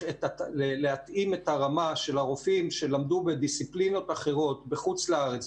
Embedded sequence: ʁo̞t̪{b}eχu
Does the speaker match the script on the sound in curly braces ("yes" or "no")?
yes